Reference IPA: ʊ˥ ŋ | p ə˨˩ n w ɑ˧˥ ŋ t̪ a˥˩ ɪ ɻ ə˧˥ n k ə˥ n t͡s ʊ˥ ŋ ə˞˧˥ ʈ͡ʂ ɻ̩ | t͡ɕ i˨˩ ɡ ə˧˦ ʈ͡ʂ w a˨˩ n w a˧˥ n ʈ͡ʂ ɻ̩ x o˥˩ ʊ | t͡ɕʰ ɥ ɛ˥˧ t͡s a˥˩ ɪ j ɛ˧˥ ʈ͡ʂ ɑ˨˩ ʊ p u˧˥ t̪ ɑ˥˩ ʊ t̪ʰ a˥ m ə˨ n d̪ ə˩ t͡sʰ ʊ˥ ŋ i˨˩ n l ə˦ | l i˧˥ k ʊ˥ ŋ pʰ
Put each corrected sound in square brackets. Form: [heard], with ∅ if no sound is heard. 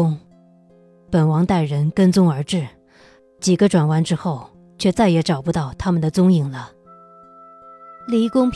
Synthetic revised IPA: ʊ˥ ŋ | p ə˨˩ n w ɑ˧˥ ŋ t̪ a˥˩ ɪ ɻ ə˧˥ n k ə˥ n t͡s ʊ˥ ŋ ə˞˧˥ ʈ͡ʂ ɻ̩ | t͡ɕ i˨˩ ɡ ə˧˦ ʈ͡ʂ w a˨˩ n w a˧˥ n ʈ͡ʂ ɻ̩ x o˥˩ ʊ | t͡ɕʰ ɥ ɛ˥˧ t͡s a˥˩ ɪ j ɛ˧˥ ʈ͡ʂ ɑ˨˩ ʊ p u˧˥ t̪ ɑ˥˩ ʊ t̪ʰ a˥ m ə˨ n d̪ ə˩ [t͡s] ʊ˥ ŋ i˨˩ [ŋ] l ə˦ | l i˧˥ k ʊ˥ ŋ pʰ